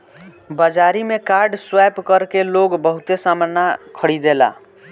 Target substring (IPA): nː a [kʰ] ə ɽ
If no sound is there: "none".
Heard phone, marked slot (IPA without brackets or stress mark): kʰ